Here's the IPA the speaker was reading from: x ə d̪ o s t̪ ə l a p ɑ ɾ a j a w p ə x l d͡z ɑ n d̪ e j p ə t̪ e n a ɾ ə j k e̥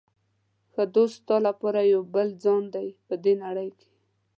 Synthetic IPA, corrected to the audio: x ə d̪ o s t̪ ɑ l a p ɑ ɾ a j a w b ə l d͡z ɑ n d̪ a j p ə d̪ e n a ɽ ə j k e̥